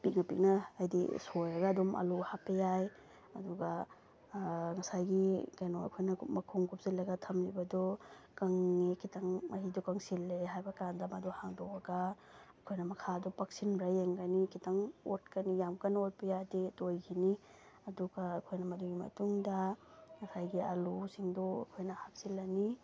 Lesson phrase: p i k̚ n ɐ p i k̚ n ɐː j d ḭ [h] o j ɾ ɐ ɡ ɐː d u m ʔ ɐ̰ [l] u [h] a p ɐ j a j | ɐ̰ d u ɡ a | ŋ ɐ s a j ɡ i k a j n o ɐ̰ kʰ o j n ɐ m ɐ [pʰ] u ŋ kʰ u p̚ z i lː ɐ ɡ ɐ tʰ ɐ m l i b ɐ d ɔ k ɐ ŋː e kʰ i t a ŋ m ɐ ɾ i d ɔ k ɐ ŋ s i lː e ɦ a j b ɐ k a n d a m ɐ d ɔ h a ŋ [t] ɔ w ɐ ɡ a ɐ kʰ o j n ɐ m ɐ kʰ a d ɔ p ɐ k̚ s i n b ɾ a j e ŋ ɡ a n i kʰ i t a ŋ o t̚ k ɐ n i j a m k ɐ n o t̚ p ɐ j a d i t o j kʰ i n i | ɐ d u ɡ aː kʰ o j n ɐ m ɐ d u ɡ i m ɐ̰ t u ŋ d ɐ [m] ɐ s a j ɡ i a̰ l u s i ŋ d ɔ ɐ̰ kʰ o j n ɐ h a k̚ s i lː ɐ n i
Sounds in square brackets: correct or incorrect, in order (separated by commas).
incorrect, correct, correct, incorrect, incorrect, incorrect